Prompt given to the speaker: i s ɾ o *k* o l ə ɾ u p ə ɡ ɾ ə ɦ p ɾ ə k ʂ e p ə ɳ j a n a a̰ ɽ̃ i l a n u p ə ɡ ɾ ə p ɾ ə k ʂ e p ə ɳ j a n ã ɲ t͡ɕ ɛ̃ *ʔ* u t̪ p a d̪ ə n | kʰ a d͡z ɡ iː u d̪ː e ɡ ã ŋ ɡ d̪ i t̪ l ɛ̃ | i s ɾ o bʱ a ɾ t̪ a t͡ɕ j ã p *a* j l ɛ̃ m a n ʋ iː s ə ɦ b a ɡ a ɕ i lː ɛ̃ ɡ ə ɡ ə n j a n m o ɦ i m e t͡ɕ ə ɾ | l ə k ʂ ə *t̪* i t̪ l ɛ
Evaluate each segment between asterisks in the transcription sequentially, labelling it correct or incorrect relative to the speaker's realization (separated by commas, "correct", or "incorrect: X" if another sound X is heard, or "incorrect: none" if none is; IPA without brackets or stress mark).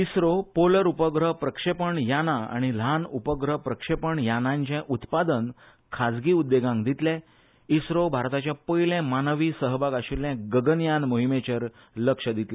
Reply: incorrect: p, correct, incorrect: ə, incorrect: d̪